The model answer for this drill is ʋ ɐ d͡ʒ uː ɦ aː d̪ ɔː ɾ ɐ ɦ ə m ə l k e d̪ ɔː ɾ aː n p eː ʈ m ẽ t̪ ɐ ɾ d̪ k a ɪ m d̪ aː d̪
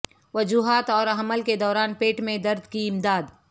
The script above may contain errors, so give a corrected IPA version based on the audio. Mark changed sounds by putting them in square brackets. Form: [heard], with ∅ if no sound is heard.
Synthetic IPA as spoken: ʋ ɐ d͡ʒ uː ɦ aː [t̪] ɔː ɾ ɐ ɦ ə m ə l k e d̪ ɔː ɾ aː n p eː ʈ m ẽ [d̪] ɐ ɾ d̪ k [i] ɪ m d̪ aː d̪